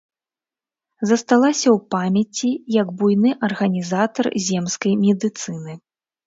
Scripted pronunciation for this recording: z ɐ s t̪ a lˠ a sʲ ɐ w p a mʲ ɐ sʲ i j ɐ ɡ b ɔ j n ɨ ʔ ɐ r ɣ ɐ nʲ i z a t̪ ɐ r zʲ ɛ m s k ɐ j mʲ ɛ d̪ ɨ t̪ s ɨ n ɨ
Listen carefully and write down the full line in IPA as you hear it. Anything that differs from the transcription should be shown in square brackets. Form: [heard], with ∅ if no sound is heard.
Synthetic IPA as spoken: z ɐ s t̪ a lˠ a sʲ ɐ w p a mʲ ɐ [t͡sʲ] i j ɐ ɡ b [u] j n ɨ ʔ ɐ r ɣ ɐ nʲ i z a t̪ ɐ r zʲ ɛ m s k ɐ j mʲ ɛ d̪ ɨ t̪ s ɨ n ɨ

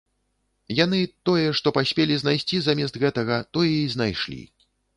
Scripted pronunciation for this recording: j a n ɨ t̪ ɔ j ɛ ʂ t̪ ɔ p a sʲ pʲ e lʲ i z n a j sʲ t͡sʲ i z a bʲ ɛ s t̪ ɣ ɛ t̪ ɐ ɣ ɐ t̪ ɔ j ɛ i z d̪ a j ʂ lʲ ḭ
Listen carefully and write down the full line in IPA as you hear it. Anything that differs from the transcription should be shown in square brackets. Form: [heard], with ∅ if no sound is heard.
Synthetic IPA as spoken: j a n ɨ t̪ ɔ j ɛ ʂ t̪ ɔ p a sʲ pʲ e lʲ i z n a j sʲ t͡sʲ i z a [mʲ] ɛ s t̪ ɣ ɛ t̪ ɐ ɣ ɐ t̪ ɔ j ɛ i z [n̪] a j ʂ lʲ ḭ

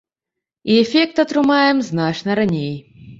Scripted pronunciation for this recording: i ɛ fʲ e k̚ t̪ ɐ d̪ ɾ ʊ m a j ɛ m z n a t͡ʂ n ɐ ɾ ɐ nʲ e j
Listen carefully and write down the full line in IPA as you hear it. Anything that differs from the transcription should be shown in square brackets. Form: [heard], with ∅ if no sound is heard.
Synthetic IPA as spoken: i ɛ fʲ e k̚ t̪ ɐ [t̪] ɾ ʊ m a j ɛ m z n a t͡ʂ n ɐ ɾ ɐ nʲ e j

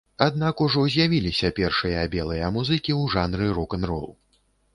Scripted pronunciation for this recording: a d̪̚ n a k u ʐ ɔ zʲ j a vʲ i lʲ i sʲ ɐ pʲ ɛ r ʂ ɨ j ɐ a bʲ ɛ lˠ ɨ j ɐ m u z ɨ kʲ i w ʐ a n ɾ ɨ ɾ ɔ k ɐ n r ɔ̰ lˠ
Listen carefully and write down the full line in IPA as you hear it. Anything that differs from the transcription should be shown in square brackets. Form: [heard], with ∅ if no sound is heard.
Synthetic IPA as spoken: a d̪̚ n a k u ʐ ɔ zʲ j a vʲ i lʲ i sʲ ɐ pʲ ɛ r ʂ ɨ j ɐ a bʲ ɛ lˠ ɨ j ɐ m u z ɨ kʲ i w ʐ a n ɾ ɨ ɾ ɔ k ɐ n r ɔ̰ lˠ

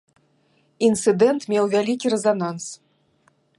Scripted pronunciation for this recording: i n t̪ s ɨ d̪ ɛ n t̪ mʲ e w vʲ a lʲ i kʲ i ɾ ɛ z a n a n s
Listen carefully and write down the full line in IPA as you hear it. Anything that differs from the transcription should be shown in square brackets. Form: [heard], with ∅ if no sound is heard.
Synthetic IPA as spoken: i n t̪ s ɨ d̪ ɛ n t̪ mʲ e w vʲ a lʲ i kʲ i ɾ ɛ z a n a n s

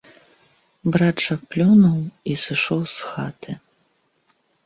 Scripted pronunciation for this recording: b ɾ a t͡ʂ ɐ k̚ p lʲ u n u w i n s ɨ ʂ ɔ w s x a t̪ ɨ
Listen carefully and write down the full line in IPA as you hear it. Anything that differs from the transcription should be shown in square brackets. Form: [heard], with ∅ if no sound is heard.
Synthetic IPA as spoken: b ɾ a t͡ʂ ɐ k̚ p lʲ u n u w i [∅] s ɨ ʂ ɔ w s x a t̪ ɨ

